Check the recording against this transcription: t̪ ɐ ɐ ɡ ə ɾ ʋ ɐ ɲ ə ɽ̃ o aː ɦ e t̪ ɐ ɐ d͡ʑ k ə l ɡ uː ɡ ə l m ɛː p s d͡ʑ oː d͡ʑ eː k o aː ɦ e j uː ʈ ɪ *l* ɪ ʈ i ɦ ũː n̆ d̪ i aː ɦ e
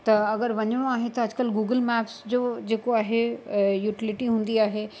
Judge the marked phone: correct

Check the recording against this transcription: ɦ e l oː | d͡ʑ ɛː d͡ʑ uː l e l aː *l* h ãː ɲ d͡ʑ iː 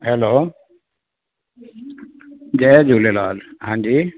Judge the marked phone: correct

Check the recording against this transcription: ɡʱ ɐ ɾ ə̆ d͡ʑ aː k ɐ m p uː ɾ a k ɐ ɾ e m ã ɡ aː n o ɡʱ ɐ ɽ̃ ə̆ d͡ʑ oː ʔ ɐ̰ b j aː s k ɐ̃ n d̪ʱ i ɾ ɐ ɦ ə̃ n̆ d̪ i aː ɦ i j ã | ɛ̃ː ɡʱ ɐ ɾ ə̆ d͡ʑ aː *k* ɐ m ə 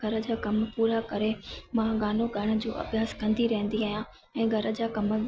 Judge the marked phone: correct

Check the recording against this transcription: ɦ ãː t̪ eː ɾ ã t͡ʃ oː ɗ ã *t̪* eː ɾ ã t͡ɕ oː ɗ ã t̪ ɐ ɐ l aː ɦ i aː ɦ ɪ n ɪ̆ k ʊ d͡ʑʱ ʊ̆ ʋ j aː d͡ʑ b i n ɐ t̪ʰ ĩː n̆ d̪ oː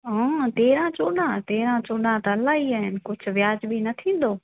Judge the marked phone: correct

